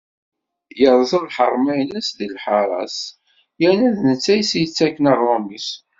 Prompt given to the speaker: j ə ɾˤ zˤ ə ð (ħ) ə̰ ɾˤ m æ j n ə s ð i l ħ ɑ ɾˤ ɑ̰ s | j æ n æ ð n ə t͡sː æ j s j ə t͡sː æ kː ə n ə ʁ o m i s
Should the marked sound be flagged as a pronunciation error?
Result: no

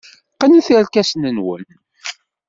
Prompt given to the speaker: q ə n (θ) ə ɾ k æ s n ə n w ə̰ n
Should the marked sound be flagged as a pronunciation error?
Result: no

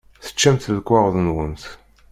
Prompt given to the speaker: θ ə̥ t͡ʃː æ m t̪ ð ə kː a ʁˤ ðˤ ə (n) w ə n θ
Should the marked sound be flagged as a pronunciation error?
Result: no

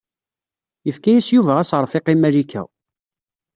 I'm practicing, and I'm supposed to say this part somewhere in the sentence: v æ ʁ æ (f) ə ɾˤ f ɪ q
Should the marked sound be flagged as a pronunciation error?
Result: yes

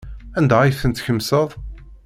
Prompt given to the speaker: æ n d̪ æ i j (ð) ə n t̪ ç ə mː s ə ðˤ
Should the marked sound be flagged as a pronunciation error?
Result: yes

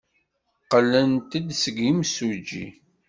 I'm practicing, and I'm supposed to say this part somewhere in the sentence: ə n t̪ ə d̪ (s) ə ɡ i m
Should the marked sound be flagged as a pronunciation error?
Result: no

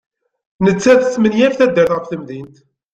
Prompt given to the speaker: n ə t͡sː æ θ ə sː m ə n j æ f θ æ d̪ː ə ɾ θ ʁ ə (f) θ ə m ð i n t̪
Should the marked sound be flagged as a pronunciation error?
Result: no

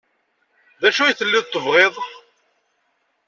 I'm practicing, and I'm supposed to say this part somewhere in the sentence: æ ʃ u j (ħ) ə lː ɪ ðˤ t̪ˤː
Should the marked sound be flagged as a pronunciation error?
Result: yes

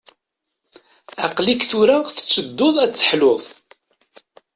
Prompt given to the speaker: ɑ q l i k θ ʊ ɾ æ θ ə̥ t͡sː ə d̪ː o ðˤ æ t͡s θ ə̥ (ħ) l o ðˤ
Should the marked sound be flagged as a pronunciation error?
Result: no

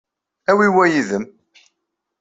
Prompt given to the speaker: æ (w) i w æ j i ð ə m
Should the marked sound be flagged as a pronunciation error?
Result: no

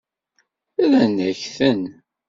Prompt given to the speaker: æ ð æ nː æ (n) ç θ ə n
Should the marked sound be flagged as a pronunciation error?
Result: yes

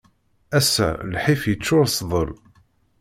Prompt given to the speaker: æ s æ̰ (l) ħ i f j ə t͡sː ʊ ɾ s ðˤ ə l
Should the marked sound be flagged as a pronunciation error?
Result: no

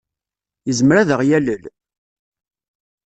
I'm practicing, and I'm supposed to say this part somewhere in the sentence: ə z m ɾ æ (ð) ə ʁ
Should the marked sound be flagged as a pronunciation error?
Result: no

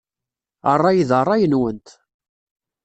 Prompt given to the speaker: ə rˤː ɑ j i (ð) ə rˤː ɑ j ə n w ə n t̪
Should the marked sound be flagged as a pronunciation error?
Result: no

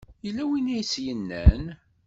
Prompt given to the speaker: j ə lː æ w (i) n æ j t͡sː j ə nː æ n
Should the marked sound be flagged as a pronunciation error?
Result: no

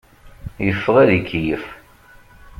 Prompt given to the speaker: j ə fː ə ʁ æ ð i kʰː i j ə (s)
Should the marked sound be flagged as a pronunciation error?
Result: yes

